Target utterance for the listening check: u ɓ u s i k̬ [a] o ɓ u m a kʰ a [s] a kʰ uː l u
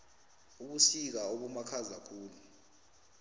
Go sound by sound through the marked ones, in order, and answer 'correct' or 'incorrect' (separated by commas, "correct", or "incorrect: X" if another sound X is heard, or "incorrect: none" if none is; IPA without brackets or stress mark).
correct, incorrect: z